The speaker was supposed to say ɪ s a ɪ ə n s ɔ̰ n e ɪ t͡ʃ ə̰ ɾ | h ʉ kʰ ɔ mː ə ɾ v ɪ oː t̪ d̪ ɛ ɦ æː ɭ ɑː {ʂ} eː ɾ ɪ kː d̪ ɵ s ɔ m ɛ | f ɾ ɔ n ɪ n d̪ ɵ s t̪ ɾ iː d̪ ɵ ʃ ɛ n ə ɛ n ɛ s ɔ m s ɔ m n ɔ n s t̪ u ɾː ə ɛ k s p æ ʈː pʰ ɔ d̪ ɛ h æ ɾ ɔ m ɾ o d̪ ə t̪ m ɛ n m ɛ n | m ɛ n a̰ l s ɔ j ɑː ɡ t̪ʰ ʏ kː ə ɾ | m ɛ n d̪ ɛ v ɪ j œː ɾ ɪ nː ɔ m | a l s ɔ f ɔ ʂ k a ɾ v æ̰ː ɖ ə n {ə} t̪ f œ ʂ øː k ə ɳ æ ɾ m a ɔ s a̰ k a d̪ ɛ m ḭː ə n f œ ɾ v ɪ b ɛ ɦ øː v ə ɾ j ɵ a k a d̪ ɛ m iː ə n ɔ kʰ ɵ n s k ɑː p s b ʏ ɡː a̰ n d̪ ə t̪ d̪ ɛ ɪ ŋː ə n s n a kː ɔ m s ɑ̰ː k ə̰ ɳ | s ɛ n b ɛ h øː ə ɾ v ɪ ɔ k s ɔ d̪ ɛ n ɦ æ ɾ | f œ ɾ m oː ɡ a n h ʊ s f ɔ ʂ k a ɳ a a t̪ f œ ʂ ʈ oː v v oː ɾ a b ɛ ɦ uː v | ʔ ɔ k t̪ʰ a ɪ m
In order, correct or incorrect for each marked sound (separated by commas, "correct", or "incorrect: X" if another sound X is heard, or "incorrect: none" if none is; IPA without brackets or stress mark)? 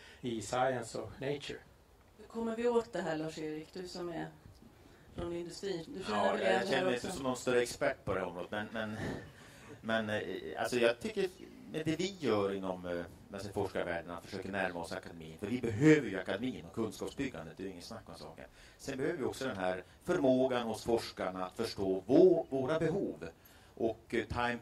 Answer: correct, incorrect: a